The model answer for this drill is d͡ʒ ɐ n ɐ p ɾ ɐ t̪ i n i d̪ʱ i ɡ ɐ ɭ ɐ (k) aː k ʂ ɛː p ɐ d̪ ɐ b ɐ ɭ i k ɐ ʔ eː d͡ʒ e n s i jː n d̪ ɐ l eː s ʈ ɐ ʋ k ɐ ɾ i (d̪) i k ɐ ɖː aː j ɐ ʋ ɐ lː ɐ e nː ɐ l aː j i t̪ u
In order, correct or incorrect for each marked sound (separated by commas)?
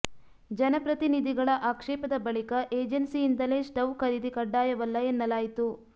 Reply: incorrect, correct